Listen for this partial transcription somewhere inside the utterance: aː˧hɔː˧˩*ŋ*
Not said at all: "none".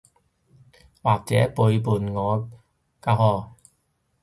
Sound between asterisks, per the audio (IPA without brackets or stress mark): none